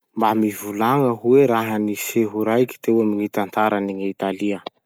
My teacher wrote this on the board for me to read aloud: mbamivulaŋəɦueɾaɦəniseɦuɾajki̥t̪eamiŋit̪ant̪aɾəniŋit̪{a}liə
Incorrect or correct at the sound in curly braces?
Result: correct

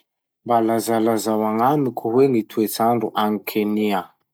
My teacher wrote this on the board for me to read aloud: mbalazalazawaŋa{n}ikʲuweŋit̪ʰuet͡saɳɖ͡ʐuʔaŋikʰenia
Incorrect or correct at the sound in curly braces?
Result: incorrect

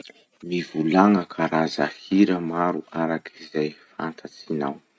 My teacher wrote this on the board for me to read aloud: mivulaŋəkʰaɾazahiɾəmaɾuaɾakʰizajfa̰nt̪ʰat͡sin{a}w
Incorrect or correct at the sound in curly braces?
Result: correct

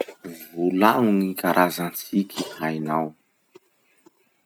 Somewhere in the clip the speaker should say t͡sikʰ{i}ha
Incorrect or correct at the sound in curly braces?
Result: correct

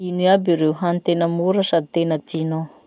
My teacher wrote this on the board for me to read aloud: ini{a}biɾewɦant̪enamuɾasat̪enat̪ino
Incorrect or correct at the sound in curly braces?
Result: correct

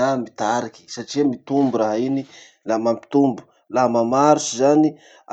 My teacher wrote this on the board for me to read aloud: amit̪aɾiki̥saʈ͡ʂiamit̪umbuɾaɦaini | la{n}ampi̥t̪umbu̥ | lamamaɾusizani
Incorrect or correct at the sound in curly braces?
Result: incorrect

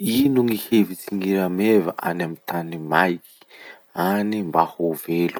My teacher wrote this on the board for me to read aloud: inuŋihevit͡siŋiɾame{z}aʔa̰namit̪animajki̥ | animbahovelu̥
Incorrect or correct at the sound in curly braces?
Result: incorrect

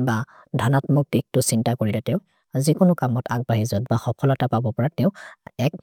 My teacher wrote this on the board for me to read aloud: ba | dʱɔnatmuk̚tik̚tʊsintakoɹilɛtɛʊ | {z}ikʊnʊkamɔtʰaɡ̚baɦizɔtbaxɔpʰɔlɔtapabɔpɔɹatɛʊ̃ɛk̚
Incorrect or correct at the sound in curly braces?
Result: correct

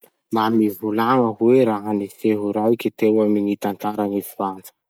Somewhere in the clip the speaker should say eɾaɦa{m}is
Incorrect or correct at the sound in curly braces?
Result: incorrect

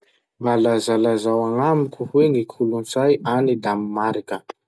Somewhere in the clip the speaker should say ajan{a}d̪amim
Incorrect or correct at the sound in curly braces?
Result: incorrect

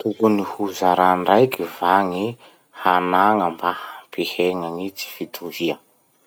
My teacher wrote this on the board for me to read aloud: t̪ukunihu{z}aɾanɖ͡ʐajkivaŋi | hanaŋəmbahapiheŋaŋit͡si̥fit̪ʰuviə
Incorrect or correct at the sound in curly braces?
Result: correct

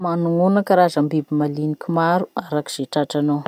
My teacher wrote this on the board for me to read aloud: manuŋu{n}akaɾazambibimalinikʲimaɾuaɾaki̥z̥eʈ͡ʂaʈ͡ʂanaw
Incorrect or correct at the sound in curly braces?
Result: correct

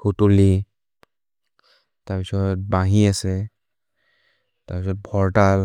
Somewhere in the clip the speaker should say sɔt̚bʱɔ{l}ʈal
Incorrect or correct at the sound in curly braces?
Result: incorrect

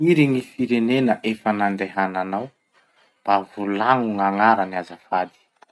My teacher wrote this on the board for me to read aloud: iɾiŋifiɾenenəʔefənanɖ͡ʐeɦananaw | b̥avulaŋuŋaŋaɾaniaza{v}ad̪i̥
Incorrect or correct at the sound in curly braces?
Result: incorrect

